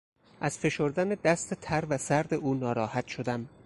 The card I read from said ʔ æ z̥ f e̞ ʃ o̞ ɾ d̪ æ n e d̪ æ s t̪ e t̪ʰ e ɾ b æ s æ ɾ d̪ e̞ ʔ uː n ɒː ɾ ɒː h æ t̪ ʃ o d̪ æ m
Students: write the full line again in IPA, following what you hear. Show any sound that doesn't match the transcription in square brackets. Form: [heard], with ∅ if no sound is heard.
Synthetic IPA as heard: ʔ æ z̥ f e̞ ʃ o̞ ɾ d̪ æ n e d̪ æ s t̪ e t̪ʰ [æ] ɾ [v] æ s æ ɾ d̪ e̞ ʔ uː n ɒː ɾ ɒː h æ t̪ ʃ o d̪ æ m

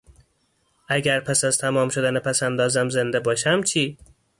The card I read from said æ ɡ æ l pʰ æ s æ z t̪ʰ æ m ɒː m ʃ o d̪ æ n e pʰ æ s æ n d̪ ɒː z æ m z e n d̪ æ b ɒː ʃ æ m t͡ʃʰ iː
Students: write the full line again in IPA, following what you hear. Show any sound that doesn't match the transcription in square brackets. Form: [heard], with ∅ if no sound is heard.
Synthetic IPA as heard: æ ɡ æ [ɾ] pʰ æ s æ z t̪ʰ æ m ɒː m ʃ o d̪ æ n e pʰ æ s æ n d̪ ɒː z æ m z e n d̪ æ b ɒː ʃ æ m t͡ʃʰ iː

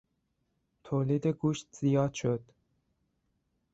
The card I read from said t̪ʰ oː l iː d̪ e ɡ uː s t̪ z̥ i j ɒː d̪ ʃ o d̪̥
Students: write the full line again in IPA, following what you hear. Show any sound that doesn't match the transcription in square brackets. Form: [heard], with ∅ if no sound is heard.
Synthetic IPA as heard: t̪ʰ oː l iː d̪ e ɡ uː [ʃ] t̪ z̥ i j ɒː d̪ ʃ o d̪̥

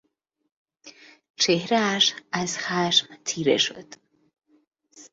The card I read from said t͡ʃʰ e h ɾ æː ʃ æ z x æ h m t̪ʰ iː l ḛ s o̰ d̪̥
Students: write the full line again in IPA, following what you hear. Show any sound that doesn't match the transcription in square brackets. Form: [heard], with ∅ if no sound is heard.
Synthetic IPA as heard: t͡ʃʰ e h ɾ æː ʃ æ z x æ [ʃ] m t̪ʰ iː [ɾ] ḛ [ʃ] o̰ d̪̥

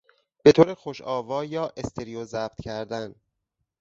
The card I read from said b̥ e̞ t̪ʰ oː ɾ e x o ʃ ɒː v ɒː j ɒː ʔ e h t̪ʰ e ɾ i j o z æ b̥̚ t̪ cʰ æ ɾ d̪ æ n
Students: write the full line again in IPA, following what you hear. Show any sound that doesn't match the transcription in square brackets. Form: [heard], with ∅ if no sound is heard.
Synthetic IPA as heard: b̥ e̞ t̪ʰ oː ɾ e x o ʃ ɒː v ɒː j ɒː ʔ e [s] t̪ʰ e ɾ i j o z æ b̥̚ t̪ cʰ æ ɾ d̪ æ n

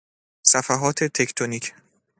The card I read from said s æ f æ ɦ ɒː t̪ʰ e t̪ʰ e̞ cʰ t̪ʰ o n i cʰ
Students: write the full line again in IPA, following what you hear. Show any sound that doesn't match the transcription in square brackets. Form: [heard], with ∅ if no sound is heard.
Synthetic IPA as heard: s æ f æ ɦ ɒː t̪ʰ e t̪ʰ e̞ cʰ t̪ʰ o n i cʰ

